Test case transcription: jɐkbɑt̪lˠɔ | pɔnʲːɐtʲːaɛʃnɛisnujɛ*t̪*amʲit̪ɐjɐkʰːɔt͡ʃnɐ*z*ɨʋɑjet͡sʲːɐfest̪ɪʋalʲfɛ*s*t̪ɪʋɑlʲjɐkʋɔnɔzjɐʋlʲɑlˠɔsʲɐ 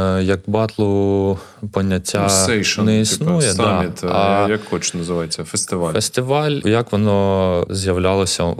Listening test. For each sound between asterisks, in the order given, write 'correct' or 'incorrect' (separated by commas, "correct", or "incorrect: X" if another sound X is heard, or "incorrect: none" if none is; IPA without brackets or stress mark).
incorrect: d̪, correct, correct